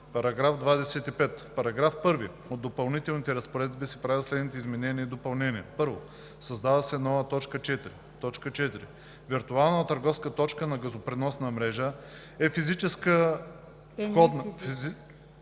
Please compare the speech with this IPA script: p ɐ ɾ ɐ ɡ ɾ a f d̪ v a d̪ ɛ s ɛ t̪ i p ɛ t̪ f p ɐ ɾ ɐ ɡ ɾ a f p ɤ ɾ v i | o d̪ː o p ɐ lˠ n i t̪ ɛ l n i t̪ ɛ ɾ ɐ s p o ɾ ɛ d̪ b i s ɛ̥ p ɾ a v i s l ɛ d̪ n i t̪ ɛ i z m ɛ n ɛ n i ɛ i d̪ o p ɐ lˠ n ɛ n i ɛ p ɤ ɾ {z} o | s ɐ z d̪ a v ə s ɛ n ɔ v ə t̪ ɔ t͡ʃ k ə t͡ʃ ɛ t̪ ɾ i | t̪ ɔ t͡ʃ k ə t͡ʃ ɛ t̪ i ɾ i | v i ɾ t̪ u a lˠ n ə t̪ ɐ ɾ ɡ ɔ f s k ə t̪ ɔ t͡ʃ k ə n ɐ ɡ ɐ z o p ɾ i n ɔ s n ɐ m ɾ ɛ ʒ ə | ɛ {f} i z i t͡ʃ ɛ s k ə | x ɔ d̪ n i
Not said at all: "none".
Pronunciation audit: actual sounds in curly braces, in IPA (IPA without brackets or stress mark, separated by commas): v, f